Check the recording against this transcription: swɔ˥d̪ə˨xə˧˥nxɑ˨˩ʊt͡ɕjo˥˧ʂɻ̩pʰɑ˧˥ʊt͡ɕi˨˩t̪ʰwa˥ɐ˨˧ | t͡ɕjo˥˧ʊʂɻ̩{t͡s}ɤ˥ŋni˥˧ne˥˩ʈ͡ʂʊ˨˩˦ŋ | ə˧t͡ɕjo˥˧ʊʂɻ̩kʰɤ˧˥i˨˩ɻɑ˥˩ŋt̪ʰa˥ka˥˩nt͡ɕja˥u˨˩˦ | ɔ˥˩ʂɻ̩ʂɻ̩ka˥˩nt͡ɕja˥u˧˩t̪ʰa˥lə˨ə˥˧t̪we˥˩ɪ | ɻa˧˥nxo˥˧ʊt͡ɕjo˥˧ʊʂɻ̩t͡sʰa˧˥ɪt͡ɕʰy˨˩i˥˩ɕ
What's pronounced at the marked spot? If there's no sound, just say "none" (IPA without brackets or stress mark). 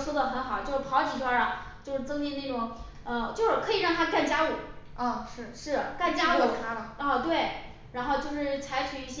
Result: t͡s